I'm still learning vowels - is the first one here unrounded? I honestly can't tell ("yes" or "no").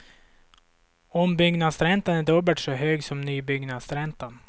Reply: no